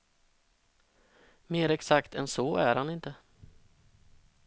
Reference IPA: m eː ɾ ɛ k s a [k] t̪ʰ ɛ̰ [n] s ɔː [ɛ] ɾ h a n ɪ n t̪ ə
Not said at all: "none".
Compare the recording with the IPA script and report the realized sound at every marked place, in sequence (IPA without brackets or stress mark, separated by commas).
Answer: k, n, æ